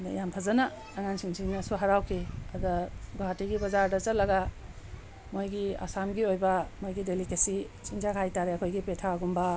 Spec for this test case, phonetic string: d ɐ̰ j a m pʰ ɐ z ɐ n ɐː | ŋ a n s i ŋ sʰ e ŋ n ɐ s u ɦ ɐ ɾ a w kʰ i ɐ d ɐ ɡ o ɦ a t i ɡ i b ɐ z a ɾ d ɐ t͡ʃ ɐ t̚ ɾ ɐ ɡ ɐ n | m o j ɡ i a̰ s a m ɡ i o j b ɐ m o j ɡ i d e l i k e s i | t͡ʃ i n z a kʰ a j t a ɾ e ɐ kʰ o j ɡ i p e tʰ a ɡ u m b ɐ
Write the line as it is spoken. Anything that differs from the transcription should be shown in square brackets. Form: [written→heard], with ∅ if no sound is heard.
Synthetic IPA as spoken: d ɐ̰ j a m pʰ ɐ z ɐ n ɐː | ŋ a n s i ŋ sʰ [e→i] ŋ n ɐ s u ɦ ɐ ɾ a w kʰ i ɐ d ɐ ɡ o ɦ a t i ɡ i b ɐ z a ɾ d ɐ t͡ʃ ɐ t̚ [ɾ→l] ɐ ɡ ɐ [n→∅] | m o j ɡ i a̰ s a m ɡ i o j b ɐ m o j ɡ i d e l i k e s i | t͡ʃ i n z a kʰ a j t a ɾ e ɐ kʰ o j ɡ i p e tʰ a ɡ u m b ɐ